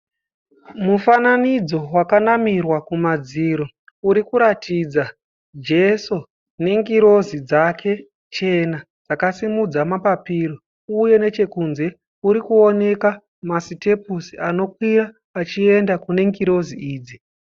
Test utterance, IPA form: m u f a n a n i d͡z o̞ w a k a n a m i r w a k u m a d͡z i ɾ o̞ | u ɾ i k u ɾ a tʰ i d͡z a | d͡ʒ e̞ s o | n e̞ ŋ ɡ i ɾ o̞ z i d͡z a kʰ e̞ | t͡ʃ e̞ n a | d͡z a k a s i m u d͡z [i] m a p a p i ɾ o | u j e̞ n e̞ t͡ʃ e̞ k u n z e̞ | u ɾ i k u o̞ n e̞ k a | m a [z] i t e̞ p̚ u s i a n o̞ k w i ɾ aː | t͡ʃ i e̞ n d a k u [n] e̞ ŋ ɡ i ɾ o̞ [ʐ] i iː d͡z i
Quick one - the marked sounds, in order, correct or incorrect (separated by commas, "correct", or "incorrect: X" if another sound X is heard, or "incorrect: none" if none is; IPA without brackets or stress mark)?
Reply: incorrect: a, incorrect: s, correct, incorrect: z